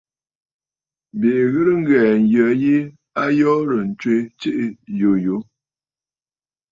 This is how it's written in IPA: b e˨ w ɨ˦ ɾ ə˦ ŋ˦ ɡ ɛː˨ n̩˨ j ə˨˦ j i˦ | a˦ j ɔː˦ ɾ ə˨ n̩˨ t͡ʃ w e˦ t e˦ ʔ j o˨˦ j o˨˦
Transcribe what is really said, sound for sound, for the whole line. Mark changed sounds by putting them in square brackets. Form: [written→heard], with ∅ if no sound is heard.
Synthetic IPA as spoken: b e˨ [w→ɣ] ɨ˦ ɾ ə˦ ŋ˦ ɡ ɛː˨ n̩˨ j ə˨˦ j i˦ | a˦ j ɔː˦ ɾ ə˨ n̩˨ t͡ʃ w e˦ [t→t͡ʃ] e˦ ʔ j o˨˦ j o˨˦